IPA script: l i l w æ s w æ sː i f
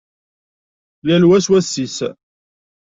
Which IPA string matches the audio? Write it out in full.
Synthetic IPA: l æ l w æ s w æ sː i s

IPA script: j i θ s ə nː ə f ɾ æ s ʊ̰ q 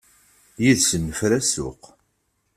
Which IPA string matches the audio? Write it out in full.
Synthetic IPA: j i ð s ə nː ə f ɾ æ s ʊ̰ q

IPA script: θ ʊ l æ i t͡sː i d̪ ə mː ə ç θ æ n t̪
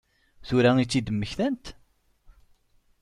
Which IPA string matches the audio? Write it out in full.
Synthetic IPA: θ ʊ ɾ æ i t͡sː i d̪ ə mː ə ç θ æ n t̪

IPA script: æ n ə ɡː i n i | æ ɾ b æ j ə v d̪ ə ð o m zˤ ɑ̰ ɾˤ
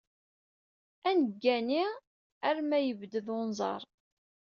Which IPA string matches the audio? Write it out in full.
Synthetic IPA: æ n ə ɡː æ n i | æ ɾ m æ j ə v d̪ ə ð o n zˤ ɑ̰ ɾˤ

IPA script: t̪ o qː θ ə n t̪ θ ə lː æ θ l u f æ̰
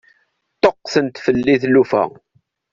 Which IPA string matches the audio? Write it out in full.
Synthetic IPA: t̪ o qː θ ə n t̪ f ə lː i θ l u f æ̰

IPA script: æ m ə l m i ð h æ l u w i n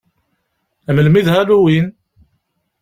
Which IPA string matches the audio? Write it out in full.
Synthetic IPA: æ m ə l m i ð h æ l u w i n

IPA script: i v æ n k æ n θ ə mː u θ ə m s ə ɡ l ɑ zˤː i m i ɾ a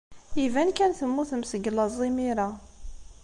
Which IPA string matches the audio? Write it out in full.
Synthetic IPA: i v æ n k æ n θ ə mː u θ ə m s ə ɡ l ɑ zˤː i m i ɾ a

